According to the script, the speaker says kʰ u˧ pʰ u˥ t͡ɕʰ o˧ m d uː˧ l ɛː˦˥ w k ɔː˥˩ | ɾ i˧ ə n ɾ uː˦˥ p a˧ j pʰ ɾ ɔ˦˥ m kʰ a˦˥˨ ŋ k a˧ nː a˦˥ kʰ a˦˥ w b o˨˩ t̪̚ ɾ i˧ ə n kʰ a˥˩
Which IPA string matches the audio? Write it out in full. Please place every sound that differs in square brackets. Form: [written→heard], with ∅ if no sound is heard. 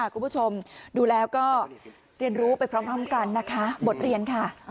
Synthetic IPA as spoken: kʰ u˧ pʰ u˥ t͡ɕʰ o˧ m d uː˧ l ɛː˦˥ w k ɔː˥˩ | ɾ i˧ ə n ɾ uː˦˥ p a˧ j pʰ ɾ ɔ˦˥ m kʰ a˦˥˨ [ŋ→m] k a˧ nː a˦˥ kʰ a˦˥ [w→∅] b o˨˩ t̪̚ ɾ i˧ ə n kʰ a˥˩